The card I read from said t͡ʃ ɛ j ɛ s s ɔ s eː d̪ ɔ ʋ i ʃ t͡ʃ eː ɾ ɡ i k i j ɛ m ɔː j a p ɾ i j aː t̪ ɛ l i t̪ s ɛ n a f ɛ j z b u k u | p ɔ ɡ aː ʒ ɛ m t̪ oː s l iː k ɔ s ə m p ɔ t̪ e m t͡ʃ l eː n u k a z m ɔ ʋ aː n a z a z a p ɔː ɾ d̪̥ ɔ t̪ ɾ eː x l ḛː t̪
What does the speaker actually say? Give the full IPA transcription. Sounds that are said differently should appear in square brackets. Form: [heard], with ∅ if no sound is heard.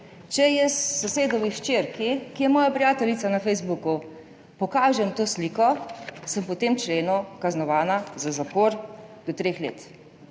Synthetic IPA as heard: t͡ʃ ɛ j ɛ s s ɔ s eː d̪ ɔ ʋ i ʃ t͡ʃ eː ɾ [k] i k i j ɛ m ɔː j a p ɾ i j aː t̪ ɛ l i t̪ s [a] n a f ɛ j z b u k u | p ɔ [k] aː ʒ ɛ m t̪ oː s l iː k ɔ s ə m p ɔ t̪ e m t͡ʃ l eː n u k a z [n] ɔ ʋ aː n a z a z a p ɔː ɾ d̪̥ ɔ t̪ ɾ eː x l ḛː t̪

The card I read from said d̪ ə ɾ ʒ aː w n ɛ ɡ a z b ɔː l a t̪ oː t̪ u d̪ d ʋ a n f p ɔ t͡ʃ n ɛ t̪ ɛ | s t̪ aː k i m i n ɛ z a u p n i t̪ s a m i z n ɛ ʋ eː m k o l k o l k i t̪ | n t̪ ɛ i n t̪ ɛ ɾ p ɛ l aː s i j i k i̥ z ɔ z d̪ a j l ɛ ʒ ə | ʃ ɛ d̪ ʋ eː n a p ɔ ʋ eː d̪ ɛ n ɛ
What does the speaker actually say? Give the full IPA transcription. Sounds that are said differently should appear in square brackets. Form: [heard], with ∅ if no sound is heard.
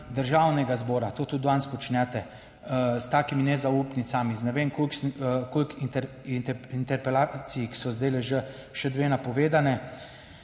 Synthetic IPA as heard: d̪ ə ɾ ʒ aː w n ɛ ɡ a z b ɔː [ɾ] a t̪ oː t̪ u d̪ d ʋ a n [s] p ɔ t͡ʃ n ɛ t̪ ɛ | s t̪ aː k i m i n ɛ z a u p n i t̪ s a m i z n ɛ ʋ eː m k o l k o l k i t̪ | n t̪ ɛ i n t̪ ɛ ɾ p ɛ l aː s i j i k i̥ [s] ɔ z d̪ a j l ɛ ʒ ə | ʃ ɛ d̪ ʋ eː n a p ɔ ʋ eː d̪ [a] n ɛ

